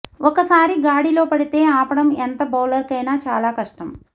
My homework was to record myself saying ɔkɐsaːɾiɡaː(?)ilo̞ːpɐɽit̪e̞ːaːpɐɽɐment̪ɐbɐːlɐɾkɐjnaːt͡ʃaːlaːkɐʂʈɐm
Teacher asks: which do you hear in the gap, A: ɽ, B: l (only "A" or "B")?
A